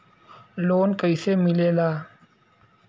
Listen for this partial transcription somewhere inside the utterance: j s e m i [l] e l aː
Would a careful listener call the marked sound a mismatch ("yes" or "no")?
no